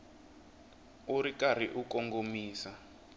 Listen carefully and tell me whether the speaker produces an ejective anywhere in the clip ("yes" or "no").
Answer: no